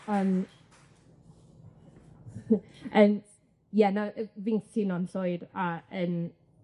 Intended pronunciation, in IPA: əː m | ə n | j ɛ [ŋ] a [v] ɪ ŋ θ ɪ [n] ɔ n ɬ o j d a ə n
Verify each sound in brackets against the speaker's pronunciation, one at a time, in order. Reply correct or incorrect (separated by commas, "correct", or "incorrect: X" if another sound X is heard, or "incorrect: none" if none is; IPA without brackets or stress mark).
incorrect: n, correct, correct